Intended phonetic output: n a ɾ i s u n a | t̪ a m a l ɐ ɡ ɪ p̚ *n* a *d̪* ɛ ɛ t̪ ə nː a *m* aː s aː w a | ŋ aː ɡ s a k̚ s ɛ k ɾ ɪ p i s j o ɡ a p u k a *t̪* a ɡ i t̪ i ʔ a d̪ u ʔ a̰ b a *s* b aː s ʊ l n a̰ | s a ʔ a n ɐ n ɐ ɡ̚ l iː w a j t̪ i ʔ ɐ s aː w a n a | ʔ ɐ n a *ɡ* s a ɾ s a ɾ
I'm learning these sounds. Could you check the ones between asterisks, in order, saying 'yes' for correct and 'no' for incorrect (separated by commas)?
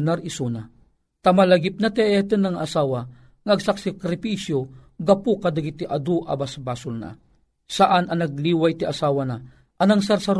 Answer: yes, no, no, no, yes, no